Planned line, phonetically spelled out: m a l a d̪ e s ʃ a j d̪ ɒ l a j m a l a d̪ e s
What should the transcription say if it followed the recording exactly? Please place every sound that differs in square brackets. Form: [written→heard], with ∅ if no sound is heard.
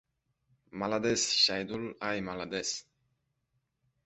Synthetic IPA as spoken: m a l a d̪ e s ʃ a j d̪ [ɒ→u] l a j m a l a d̪ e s